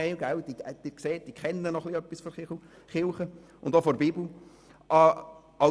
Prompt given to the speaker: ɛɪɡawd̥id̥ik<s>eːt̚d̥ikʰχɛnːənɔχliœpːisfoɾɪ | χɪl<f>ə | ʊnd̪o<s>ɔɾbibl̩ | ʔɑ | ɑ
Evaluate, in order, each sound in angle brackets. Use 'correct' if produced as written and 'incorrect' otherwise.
correct, incorrect: χ, incorrect: f

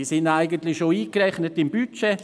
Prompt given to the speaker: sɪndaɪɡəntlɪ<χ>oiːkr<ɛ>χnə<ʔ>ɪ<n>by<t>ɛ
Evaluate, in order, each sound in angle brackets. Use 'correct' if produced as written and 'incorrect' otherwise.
incorrect: ʃ, correct, incorrect: t, incorrect: m, incorrect: t͡ʃ

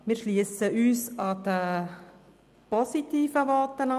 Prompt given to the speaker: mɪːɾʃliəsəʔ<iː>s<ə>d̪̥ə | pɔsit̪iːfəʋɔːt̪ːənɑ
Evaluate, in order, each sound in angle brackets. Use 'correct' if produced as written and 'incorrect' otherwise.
incorrect: yː, incorrect: ɑ

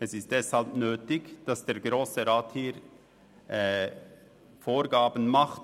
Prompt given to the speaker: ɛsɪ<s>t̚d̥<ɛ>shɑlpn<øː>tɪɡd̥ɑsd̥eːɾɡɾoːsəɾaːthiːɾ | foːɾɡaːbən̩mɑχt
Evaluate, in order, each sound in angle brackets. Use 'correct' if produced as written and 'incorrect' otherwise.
correct, correct, correct

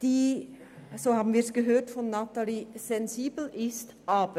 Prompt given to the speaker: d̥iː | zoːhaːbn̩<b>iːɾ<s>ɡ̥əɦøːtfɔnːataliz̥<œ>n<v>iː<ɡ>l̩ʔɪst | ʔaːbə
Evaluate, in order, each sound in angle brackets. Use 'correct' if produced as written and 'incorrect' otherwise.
incorrect: v, correct, incorrect: ɛ, incorrect: z, incorrect: b

